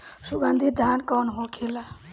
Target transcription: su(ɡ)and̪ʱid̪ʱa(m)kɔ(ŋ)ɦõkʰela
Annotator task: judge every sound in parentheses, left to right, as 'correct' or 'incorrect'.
correct, incorrect: n, incorrect: n

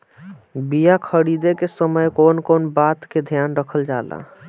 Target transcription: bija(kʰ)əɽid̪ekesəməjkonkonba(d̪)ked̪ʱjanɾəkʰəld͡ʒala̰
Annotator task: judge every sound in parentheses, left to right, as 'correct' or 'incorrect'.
correct, incorrect: t̪

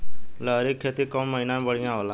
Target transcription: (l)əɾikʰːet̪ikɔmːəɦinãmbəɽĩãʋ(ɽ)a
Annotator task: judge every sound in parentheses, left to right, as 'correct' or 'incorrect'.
correct, incorrect: l

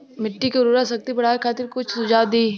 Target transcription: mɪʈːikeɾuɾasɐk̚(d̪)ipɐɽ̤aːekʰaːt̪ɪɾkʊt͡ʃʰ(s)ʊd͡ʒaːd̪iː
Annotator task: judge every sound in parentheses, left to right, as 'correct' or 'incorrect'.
incorrect: t̪, correct

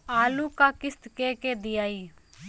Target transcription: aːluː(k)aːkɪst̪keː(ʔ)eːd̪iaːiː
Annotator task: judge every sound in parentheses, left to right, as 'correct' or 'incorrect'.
correct, incorrect: k

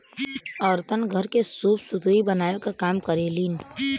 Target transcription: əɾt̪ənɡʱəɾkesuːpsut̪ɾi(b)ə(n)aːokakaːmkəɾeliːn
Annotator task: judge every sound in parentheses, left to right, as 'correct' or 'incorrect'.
correct, correct

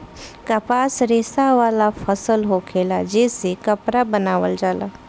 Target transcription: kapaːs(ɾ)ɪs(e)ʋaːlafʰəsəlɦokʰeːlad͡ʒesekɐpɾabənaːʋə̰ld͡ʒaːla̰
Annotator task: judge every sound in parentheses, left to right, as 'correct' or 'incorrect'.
correct, incorrect: a

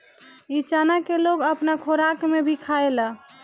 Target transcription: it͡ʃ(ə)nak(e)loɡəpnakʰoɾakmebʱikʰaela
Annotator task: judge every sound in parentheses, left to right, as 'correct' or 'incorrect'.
incorrect: a, correct

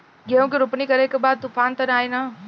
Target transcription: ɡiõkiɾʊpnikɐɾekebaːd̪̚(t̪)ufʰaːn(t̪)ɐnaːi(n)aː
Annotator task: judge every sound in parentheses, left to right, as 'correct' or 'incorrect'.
correct, correct, correct

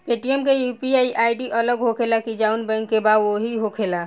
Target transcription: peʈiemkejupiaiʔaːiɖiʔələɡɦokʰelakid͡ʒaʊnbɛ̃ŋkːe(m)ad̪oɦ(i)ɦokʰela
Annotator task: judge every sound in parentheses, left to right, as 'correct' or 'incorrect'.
incorrect: b, correct

